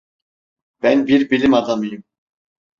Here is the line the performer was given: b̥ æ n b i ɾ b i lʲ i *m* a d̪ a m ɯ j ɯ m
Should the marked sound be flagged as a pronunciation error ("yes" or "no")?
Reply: no